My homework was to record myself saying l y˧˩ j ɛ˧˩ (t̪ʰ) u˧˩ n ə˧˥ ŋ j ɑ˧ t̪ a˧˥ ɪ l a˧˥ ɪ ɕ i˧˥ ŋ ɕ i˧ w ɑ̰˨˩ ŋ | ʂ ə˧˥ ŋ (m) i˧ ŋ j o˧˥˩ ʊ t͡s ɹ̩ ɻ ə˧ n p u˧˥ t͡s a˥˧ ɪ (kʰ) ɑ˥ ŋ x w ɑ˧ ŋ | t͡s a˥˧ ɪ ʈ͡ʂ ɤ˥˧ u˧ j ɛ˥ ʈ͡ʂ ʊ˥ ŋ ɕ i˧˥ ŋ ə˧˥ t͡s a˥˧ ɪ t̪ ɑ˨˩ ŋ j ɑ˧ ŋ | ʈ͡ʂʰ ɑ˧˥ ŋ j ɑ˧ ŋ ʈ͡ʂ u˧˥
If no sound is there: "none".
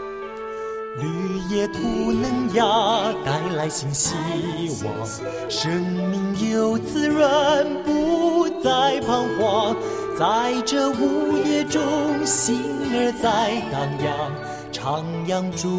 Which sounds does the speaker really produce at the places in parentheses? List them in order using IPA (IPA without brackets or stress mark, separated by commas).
t̪ʰ, m, pʰ